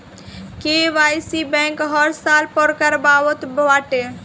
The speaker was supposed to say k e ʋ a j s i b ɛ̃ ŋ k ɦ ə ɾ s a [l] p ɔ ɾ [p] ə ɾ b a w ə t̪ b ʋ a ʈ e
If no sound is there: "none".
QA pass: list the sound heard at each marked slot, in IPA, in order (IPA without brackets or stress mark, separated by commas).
l, k